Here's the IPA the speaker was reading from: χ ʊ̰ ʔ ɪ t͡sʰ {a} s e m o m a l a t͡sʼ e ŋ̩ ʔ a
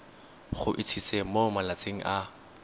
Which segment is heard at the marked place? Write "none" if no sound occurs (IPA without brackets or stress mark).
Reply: i